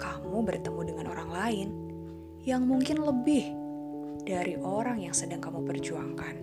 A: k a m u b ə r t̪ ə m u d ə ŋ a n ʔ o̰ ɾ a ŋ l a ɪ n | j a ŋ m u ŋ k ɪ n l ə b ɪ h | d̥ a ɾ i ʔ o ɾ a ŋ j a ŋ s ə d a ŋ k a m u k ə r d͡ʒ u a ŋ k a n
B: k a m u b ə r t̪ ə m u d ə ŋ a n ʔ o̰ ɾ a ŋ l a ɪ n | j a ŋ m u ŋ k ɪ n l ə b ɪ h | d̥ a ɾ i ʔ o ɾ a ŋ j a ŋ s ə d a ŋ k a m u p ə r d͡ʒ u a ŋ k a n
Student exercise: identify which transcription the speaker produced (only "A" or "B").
B